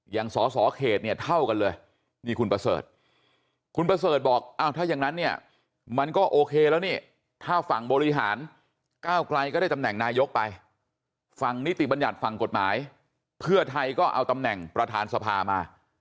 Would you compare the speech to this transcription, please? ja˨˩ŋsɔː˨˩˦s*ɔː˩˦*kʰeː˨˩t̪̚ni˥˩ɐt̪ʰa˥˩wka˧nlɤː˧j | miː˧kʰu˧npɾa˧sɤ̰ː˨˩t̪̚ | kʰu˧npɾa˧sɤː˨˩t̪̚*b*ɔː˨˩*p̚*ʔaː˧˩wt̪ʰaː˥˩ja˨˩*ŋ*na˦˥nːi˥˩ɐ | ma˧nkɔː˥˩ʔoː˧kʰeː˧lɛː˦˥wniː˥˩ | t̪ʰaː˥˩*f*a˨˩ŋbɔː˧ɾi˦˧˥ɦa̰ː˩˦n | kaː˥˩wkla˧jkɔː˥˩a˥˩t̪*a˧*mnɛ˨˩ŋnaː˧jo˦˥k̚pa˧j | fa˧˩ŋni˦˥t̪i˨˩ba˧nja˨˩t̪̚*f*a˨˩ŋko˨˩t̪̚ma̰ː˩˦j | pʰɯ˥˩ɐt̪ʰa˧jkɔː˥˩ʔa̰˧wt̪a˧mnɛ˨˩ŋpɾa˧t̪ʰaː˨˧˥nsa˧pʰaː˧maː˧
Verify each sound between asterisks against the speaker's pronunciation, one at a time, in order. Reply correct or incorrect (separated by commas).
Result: correct, correct, incorrect, correct, correct, correct, correct